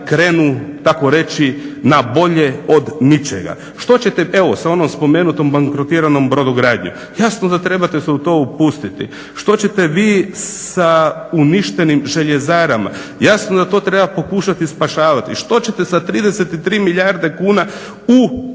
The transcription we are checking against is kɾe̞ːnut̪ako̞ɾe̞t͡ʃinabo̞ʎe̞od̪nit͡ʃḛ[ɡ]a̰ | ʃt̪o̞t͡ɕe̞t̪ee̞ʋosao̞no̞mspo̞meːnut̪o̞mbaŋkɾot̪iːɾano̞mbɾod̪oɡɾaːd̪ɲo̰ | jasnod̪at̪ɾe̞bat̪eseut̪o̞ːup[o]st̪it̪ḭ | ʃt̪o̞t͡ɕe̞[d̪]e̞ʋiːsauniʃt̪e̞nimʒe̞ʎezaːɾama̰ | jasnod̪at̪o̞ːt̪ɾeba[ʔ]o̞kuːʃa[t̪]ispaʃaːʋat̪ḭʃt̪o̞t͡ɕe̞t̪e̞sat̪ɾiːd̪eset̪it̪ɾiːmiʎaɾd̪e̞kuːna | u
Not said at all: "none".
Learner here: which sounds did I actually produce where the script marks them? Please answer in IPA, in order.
ɡ, u, t̪, p, t̪

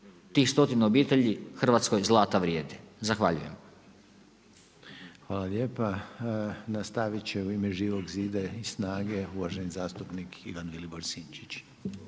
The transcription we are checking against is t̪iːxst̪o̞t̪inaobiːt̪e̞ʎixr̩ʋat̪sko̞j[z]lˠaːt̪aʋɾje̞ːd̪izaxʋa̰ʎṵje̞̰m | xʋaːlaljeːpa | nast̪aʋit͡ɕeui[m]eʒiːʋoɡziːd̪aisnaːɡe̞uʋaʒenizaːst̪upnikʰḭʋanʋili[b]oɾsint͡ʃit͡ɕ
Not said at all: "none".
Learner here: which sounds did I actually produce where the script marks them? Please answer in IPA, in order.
z, m, b

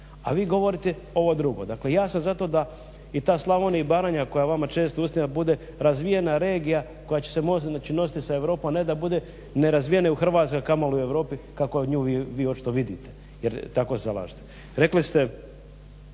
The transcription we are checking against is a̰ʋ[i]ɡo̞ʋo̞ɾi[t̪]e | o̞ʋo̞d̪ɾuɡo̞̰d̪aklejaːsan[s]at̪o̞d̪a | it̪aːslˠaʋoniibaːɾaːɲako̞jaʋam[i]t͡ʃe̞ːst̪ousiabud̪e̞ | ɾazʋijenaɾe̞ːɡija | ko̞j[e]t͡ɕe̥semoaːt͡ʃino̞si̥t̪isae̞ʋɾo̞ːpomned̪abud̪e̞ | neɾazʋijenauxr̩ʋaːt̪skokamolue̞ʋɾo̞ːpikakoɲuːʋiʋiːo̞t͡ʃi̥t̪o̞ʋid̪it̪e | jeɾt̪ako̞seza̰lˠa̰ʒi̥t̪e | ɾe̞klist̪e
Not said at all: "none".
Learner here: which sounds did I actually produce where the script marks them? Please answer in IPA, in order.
iː, t̪, z, a, a

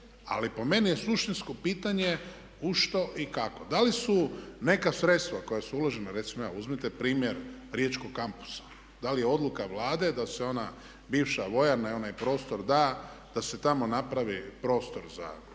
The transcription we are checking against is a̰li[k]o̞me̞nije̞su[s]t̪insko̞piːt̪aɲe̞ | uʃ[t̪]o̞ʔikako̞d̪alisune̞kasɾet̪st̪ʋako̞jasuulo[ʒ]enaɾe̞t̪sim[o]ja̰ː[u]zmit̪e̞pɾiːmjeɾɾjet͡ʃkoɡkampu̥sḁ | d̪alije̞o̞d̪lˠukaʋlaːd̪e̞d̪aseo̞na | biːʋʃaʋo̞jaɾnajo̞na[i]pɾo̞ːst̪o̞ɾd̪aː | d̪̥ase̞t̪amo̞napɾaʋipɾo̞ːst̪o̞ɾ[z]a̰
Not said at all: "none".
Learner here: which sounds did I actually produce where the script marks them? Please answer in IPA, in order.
p, ʃ, t̪, ʒ, o, u, j, z

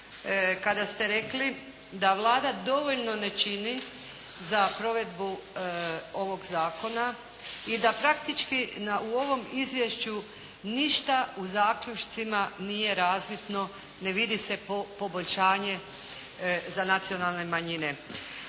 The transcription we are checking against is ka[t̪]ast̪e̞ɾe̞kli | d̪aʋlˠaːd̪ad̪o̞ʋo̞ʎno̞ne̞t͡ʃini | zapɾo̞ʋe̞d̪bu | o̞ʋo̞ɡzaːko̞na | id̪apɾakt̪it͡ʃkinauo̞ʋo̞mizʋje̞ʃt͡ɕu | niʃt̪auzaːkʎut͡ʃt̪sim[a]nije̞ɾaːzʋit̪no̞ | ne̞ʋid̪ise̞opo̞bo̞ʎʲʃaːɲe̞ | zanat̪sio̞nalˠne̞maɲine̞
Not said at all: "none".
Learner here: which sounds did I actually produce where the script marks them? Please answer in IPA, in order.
d̪, a

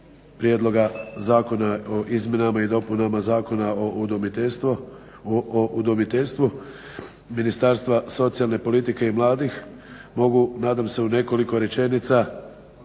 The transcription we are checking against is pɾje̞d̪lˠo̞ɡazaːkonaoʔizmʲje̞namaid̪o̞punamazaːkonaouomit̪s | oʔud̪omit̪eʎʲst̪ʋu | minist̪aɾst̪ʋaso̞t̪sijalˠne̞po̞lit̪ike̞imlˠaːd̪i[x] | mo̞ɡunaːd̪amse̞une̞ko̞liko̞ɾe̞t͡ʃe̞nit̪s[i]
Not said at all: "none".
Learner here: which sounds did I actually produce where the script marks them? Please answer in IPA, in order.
x, a

